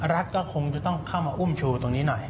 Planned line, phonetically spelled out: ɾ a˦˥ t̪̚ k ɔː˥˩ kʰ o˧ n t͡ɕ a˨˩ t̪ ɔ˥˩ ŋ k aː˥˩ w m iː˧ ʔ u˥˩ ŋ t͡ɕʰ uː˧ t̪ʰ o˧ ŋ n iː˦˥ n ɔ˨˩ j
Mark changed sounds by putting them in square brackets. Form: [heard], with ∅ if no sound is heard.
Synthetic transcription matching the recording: ɾ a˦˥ t̪̚ k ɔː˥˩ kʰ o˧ [ŋ] t͡ɕ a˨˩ t̪ ɔ˥˩ ŋ [kʰ] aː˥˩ w m [aː˧] ʔ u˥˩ [m] t͡ɕʰ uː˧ [t̪] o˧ ŋ n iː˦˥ n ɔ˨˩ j